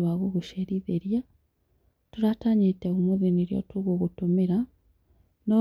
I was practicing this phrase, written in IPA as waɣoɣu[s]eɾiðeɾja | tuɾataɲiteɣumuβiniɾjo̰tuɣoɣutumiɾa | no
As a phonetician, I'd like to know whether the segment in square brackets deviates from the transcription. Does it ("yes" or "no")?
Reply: yes